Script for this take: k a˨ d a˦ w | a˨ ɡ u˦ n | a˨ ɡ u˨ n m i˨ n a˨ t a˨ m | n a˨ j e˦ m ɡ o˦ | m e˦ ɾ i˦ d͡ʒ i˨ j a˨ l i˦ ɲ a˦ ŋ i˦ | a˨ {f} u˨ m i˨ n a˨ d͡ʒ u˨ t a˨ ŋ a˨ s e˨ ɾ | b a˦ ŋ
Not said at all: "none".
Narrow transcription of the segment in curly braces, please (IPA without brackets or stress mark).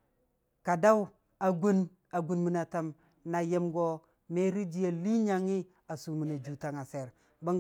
s